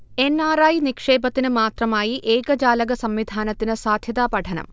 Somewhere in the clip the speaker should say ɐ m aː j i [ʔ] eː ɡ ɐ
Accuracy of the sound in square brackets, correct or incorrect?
correct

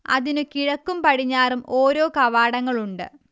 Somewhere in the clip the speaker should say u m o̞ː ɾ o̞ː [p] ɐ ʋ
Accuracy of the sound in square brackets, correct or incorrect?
incorrect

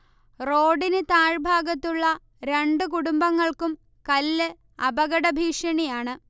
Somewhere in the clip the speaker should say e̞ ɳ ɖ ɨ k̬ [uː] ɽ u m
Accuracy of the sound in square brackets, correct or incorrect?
incorrect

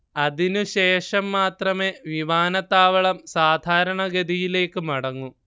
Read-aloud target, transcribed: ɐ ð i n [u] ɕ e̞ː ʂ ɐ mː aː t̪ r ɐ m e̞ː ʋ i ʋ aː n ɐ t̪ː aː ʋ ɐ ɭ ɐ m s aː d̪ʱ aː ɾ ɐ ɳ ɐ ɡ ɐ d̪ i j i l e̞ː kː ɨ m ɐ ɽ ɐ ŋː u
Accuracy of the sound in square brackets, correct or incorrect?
correct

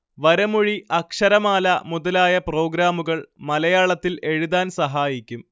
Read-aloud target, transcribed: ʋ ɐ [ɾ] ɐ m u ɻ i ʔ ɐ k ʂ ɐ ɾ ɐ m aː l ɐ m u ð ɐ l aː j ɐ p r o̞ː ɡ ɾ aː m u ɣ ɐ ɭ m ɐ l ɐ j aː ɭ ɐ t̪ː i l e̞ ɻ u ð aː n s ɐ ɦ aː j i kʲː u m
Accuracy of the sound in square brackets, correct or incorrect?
correct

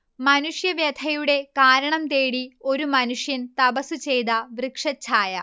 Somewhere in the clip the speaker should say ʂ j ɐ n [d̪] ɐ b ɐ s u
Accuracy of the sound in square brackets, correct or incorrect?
incorrect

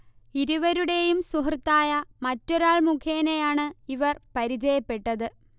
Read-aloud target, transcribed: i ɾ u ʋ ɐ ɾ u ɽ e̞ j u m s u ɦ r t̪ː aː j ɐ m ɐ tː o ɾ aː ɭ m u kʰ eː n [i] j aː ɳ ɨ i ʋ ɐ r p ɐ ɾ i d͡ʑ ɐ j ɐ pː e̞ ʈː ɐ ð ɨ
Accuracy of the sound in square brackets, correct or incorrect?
incorrect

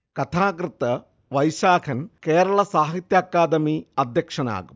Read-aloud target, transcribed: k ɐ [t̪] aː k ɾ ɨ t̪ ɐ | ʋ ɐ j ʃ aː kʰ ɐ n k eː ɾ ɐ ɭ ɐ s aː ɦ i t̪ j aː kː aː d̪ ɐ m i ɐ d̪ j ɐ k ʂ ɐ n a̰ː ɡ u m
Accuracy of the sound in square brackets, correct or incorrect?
incorrect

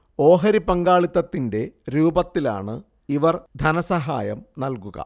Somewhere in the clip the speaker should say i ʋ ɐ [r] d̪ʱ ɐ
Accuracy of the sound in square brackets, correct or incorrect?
correct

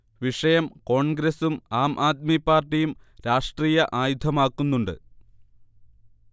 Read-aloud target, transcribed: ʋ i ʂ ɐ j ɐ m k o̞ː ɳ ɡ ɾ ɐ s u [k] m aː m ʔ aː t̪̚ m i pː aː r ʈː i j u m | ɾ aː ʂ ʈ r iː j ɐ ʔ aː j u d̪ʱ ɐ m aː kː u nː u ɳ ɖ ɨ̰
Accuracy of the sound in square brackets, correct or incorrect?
incorrect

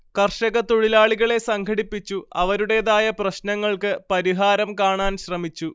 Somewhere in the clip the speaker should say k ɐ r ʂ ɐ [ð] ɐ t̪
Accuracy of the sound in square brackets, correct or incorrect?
incorrect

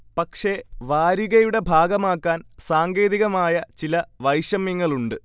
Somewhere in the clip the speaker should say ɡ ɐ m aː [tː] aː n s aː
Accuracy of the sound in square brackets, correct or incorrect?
incorrect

